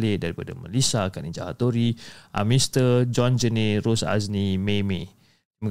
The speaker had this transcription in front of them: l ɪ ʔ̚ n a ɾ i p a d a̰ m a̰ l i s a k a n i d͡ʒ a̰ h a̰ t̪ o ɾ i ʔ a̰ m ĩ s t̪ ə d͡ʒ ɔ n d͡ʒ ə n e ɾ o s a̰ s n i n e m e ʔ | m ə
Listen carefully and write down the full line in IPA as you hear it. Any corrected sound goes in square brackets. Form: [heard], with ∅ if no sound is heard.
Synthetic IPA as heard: l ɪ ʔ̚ [d] a ɾ i p a d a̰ m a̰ l i s a k a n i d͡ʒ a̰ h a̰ t̪ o ɾ i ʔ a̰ m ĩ s t̪ ə d͡ʒ ɔ n d͡ʒ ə n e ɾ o s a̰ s n i [m] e m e [∅] | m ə